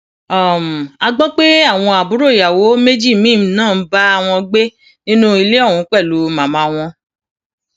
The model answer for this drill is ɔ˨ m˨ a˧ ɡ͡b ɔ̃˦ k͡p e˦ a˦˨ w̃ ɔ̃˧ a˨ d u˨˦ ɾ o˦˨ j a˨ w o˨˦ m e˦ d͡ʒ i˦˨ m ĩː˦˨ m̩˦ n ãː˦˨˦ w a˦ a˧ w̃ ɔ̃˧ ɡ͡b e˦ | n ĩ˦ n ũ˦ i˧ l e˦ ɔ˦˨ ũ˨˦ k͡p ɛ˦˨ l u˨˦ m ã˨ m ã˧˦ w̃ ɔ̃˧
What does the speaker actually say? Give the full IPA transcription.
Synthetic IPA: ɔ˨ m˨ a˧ ɡ͡b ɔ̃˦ k͡p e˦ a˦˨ w̃ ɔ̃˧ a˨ b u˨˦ ɾ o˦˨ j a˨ w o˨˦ m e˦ d͡ʒ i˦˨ m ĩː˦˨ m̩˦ n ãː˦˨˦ b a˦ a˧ w̃ ɔ̃˧ ɡ͡b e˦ | n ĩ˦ n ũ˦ i˧ l e˦ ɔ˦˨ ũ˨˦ k͡p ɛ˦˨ l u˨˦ m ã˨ m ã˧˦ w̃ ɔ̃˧